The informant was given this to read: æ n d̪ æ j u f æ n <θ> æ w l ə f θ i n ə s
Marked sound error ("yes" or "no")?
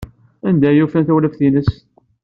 no